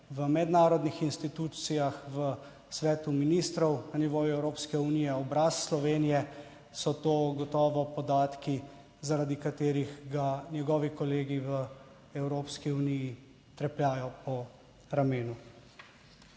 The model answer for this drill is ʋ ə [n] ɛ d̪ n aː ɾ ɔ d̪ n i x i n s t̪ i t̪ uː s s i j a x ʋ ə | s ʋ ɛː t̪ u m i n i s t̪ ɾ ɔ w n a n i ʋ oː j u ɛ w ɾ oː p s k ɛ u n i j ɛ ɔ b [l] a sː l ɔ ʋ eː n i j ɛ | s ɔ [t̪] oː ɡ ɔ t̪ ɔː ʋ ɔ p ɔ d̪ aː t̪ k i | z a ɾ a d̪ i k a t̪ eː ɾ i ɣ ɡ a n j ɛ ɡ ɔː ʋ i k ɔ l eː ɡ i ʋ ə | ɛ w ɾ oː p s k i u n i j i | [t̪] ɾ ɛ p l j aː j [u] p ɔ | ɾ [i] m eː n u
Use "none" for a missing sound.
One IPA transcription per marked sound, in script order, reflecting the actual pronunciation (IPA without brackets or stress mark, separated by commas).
m, ɾ, t̪, t̪, ɔ, a